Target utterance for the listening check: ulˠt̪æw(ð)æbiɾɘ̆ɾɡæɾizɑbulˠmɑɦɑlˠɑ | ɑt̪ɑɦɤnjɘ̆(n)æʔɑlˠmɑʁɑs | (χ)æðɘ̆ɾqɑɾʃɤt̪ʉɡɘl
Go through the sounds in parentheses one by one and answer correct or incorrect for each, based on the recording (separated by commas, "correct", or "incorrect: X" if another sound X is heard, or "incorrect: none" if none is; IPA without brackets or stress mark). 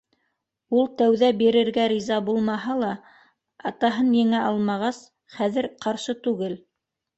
correct, incorrect: ŋ, correct